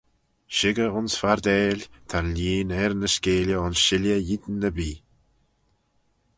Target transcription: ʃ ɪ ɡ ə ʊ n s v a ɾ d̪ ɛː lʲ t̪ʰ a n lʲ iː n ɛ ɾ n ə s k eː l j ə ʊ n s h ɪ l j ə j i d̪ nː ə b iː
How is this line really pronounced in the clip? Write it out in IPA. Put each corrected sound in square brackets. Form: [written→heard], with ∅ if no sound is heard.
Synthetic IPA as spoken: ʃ ɪ ɡ ə ʊ n s [v→f] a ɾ d̪ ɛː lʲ t̪ʰ a n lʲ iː n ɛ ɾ n ə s k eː l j ə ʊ n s [h→ʃ] ɪ l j ə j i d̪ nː ə b iː